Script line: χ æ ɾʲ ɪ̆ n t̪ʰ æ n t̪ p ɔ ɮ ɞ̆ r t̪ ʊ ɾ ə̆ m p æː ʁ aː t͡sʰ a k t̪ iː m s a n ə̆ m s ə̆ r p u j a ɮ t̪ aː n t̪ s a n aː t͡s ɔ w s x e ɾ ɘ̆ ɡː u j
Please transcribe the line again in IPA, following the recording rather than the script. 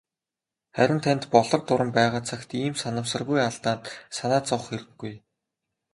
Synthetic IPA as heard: χ æ ɾʲ ɪ̆ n t̪ʰ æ n t̪ p ɔ ɮ ɞ̆ r t̪ ʊ ɾ ə̆ m p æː ʁ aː t͡sʰ a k t̪ iː m s a n ə̆ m s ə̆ r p u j a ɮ t̪ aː n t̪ s a n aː t͡s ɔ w χ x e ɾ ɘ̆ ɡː u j